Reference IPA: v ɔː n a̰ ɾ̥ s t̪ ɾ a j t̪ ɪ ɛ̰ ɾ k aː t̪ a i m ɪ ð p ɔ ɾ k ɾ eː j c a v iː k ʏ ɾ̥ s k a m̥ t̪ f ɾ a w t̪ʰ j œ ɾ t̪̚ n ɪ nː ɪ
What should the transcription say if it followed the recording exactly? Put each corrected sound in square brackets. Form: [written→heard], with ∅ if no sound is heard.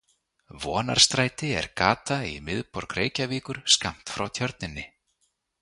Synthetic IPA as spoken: v ɔː n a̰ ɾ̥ s t̪ ɾ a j t̪ ɪ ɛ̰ ɾ k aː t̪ a i m ɪ ð p ɔ ɾ k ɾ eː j c a v iː k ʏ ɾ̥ s k a m̥ t̪ f ɾ a w t̪ʰ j œ ɾ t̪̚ n ɪ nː ɪ